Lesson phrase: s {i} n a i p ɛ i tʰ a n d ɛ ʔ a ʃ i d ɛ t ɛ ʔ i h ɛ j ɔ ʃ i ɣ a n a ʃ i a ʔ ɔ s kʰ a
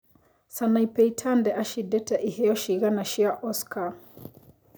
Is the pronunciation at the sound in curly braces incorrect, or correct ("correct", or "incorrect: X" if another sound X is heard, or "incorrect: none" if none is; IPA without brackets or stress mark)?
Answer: incorrect: a